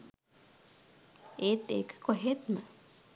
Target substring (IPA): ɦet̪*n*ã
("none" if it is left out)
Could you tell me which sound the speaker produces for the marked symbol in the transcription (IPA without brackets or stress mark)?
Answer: m